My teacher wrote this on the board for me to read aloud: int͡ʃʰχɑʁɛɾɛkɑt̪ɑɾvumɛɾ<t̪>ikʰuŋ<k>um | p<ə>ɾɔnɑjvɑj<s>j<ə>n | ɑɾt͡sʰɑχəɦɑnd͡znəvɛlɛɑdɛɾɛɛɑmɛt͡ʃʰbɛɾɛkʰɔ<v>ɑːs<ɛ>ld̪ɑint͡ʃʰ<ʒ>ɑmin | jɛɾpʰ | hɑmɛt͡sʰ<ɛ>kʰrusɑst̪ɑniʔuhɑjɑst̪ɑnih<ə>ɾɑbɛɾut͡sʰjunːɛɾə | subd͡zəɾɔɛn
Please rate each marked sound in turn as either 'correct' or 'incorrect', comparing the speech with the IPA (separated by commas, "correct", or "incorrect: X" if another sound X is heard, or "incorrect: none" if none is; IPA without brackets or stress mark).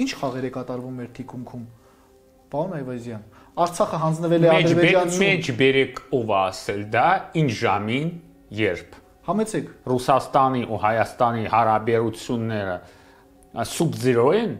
incorrect: t̪ʰ, incorrect: kʰ, incorrect: ɑ, incorrect: z, incorrect: ɑ, correct, correct, correct, correct, incorrect: ɑ